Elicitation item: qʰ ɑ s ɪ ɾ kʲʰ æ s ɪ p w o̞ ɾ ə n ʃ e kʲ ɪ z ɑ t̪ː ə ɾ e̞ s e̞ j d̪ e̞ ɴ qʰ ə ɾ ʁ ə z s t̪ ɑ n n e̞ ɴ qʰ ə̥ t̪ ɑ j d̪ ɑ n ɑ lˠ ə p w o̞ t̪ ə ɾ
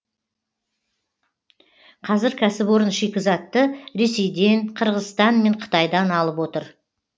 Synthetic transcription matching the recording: qʰ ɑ z ɪ ɾ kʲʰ æ s ɪ p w o̞ ɾ ə n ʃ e kʲ ɪ z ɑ t̪ː ə ɾ e̞ s e̞ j d̪ e̞ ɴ qʰ ə ɾ ʁ ə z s t̪ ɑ n m e̞ ɴ qʰ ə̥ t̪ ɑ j d̪ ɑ n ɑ lˠ ə p w o̞ t̪ ə ɾ